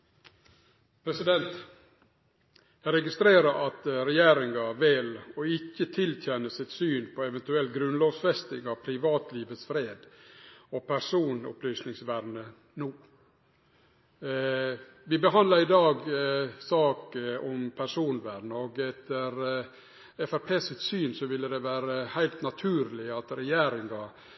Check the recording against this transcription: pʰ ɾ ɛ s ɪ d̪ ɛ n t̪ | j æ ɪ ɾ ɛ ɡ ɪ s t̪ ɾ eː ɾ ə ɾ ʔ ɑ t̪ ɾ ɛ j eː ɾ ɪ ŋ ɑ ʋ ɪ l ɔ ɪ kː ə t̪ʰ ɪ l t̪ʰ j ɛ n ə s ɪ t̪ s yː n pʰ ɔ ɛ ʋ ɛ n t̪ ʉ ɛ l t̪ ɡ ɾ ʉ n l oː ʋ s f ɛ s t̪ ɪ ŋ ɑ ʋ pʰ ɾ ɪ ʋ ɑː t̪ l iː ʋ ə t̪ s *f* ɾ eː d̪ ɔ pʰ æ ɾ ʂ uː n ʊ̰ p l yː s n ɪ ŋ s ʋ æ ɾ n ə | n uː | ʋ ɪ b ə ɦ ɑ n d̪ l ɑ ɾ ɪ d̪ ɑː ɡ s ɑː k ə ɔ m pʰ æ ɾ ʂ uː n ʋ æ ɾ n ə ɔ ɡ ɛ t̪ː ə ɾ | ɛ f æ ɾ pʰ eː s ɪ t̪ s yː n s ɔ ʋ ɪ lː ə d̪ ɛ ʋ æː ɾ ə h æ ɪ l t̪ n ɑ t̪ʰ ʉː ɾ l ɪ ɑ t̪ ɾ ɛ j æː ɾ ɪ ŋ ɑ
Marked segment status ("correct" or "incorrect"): correct